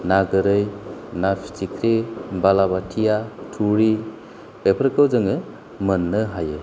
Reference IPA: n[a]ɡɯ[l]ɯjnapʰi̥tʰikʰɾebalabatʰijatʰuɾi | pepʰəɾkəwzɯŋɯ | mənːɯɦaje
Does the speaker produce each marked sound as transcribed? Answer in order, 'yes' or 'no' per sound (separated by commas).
yes, no